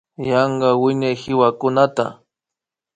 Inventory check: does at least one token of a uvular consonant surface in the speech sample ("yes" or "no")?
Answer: yes